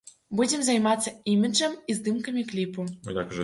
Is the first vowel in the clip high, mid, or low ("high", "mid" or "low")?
high